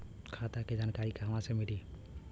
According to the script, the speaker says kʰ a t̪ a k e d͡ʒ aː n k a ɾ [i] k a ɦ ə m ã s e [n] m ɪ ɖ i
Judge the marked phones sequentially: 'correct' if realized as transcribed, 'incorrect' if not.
correct, incorrect

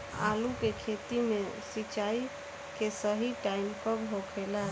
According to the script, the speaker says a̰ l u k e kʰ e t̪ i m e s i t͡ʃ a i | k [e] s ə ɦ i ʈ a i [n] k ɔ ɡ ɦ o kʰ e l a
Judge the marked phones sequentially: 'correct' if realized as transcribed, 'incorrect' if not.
correct, incorrect

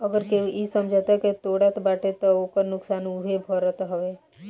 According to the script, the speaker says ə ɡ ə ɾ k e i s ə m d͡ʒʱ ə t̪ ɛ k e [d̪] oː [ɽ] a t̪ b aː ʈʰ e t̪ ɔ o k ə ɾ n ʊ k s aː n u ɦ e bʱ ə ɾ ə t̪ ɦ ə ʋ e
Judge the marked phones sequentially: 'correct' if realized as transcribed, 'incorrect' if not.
incorrect, correct

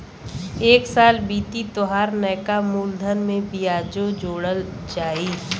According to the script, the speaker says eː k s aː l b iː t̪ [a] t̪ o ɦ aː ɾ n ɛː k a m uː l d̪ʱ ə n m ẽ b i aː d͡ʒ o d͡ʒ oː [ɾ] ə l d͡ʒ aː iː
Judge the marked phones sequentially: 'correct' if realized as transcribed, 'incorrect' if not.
incorrect, incorrect

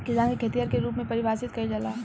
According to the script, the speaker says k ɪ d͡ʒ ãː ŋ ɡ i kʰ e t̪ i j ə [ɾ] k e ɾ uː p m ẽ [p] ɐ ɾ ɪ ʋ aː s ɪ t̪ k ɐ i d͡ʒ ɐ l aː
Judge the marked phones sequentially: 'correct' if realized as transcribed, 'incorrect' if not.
correct, correct

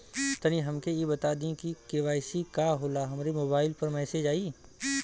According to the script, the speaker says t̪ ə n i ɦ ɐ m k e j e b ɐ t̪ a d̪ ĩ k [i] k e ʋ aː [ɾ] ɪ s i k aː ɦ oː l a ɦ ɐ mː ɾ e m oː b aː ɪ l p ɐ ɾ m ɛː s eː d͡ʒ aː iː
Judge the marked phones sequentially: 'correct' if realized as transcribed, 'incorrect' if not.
correct, incorrect

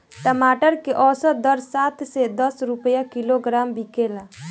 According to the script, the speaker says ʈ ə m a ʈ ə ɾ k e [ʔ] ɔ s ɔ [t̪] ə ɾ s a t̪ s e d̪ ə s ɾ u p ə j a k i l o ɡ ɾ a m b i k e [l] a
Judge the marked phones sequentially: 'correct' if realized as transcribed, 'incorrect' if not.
correct, incorrect, correct

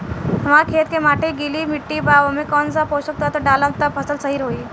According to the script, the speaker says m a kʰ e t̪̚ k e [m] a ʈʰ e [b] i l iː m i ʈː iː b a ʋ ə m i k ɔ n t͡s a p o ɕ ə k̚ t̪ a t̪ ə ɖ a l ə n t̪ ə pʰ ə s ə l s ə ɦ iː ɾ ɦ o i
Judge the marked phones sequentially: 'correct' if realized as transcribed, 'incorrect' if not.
correct, incorrect

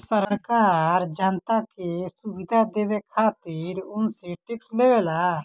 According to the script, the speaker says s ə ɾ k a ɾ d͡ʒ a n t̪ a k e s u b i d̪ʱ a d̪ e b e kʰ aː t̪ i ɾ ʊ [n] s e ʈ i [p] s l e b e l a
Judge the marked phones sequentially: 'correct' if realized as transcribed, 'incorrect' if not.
correct, incorrect

